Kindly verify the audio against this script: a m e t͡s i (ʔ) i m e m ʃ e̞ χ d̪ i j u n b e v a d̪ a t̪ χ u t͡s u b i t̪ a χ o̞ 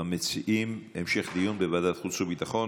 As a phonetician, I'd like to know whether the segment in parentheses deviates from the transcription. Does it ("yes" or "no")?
no